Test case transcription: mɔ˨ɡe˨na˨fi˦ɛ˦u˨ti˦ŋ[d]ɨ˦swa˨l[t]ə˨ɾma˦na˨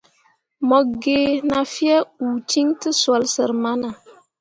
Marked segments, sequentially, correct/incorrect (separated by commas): incorrect, incorrect